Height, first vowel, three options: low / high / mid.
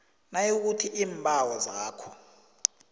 low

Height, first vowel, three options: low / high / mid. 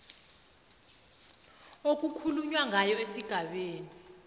mid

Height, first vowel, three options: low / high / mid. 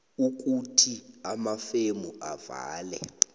high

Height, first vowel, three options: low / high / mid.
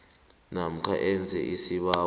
low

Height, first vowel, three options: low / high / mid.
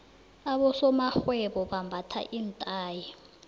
low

